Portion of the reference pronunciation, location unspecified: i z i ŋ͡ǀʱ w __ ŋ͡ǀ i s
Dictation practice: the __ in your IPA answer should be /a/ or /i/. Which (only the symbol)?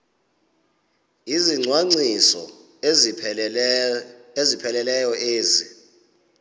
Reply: a